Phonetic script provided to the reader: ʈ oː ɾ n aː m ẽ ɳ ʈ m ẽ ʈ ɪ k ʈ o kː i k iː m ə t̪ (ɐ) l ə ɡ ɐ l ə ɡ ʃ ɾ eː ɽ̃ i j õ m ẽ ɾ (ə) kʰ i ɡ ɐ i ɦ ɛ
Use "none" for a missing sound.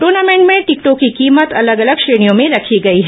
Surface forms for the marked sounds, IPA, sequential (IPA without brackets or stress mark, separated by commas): ɐ, ɐ